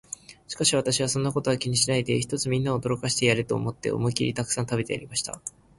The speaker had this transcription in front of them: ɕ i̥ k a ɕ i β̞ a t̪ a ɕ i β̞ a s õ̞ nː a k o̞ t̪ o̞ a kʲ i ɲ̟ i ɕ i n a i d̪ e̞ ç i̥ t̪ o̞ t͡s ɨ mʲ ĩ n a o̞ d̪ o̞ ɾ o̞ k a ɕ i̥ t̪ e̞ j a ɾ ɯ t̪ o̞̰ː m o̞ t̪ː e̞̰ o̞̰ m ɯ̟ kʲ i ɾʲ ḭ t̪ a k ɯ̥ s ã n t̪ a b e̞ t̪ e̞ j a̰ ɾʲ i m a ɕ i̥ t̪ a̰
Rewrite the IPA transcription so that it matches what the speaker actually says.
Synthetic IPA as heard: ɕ i̥ k a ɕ i β̞ a t̪ a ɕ i β̞ a s õ̞ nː a k o̞ t̪ o̞ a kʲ i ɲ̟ i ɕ i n a i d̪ e̞ ç i̥ t̪ o̞ t͡s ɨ mʲ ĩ nː a o̞ d̪ o̞ ɾ o̞ k a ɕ i̥ t̪ e̞ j a ɾ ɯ t̪ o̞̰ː m o̞ t̪ː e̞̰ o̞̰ m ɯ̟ kʲ i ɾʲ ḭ t̪ a k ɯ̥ s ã n t̪ a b e̞ t̪ e̞ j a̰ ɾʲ i m a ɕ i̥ t̪ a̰